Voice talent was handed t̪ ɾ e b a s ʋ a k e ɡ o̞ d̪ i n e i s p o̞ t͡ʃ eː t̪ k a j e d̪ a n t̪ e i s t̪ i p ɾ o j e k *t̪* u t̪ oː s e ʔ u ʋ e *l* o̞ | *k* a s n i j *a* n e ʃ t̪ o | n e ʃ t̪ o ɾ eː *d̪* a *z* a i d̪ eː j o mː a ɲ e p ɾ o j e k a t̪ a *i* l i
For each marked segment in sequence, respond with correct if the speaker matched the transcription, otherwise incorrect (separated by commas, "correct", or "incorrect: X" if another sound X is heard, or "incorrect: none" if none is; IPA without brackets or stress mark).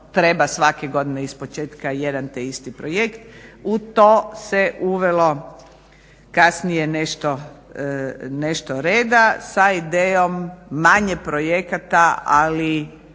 correct, correct, correct, incorrect: e, correct, incorrect: s, incorrect: a